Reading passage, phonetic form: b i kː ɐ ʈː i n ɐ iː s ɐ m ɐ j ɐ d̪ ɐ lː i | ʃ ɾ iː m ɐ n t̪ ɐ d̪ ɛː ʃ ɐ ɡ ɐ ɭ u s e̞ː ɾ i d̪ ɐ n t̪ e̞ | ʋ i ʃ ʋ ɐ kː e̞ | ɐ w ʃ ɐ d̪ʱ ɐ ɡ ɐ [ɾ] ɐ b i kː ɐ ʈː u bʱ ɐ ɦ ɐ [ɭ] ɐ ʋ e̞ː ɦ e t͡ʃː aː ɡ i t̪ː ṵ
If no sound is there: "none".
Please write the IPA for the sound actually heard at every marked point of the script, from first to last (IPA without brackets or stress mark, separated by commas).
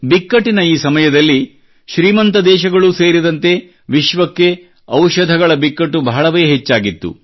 ɭ, ɭ